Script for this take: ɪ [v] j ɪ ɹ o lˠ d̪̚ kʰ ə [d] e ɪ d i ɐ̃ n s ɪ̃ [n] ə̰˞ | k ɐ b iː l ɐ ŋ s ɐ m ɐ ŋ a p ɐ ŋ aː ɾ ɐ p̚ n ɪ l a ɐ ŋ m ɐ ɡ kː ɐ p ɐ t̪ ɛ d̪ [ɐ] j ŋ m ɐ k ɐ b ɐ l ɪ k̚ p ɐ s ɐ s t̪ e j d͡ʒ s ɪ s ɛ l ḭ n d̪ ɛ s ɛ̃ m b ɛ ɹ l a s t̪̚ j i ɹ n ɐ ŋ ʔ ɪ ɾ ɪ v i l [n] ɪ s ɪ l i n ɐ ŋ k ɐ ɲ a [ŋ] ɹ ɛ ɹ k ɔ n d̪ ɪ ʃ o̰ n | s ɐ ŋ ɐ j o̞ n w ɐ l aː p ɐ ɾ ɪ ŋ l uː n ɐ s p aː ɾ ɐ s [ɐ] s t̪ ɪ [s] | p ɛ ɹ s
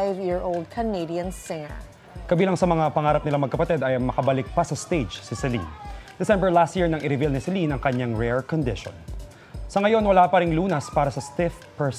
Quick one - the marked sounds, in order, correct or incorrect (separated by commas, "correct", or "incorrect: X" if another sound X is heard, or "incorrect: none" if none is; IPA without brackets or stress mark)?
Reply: correct, incorrect: n, incorrect: ŋ, correct, correct, correct, correct, incorrect: f